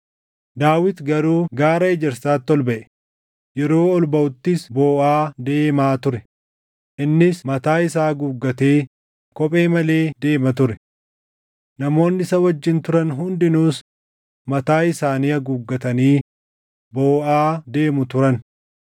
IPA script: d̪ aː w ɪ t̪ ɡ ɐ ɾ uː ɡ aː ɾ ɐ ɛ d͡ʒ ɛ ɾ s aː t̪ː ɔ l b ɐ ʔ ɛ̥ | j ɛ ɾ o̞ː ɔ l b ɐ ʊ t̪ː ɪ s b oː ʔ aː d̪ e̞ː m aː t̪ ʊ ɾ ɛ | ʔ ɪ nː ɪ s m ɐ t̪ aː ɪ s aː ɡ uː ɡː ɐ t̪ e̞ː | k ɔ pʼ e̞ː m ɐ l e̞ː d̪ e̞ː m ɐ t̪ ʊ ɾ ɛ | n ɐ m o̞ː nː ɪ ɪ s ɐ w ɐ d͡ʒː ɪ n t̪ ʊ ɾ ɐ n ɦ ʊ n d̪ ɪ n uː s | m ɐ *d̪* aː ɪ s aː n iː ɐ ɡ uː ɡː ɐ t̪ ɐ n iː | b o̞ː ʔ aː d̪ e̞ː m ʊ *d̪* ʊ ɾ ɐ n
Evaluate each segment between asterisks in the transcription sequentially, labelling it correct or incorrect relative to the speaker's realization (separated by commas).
incorrect, incorrect